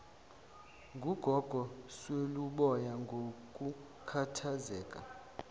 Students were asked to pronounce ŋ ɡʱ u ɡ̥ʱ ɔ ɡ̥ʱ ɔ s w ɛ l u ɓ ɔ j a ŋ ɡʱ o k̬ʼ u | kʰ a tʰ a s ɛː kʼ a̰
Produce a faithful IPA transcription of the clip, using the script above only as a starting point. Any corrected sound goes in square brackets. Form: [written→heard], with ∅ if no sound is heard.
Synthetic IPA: ŋ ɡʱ u ɡ̥ʱ ɔ ɡ̥ʱ ɔ s w [ɛ→e] l u ɓ ɔ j a ŋ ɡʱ o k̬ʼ u | kʰ a tʰ a [s→z] ɛː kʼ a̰